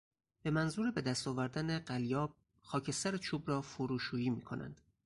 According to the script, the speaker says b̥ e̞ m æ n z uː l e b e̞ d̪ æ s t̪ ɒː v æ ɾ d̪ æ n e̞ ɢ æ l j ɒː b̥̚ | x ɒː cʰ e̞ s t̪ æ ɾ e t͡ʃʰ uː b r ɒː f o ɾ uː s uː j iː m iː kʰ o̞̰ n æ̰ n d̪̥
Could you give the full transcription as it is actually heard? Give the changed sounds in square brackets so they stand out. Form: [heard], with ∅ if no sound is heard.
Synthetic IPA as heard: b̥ e̞ m æ n z uː [ɾ] e b e̞ d̪ æ s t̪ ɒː v æ ɾ d̪ æ n e̞ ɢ æ l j ɒː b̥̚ | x ɒː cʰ e̞ s t̪ æ ɾ e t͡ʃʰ uː b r ɒː f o ɾ uː [ʃ] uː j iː m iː kʰ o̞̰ n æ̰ n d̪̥